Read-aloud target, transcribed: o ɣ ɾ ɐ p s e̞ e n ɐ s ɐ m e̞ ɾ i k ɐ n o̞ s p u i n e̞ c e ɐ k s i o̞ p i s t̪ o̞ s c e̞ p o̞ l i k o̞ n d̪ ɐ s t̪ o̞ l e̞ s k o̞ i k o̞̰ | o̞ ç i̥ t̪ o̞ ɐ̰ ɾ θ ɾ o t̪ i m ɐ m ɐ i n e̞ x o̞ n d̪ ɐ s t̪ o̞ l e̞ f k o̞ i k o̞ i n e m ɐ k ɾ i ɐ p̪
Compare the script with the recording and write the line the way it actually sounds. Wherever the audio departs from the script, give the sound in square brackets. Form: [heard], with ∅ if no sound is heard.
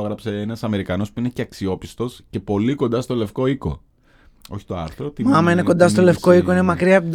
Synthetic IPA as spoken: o ɣ ɾ ɐ p s e̞ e n ɐ s ɐ m e̞ ɾ i k ɐ n o̞ s p u i n e̞ c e ɐ k s i o̞ p i s t̪ o̞ s c e̞ p o̞ l i k o̞ n d̪ ɐ s t̪ o̞ l e̞ [f] k o̞ i k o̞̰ | o̞ ç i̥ t̪ o̞ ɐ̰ ɾ θ ɾ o t̪ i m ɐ m ɐ i n e̞ [k] o̞ n d̪ ɐ s t̪ o̞ l e̞ f k o̞ i k o̞ i n e m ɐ k ɾ i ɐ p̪